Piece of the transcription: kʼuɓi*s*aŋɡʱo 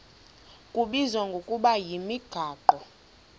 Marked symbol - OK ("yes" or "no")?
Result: no